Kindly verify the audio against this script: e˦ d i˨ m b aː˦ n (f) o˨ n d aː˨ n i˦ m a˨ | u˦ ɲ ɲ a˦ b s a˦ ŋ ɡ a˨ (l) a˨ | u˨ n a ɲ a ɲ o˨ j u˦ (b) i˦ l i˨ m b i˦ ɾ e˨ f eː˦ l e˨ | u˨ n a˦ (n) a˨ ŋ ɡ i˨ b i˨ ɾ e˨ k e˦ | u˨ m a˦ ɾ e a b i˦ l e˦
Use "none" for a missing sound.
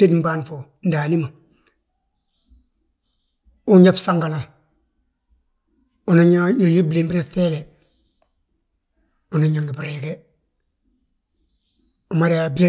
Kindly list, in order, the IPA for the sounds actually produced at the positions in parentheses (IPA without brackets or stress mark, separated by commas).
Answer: f, l, b, ɲ